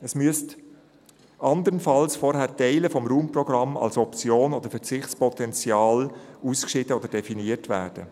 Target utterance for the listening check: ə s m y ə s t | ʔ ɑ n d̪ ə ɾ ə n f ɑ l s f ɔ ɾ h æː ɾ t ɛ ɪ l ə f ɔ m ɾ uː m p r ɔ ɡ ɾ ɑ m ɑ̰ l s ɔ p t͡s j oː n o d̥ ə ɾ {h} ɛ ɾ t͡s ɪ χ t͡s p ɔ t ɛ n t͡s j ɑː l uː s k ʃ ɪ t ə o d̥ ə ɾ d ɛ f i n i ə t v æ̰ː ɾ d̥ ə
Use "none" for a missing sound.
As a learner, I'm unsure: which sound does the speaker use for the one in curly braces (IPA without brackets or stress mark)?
f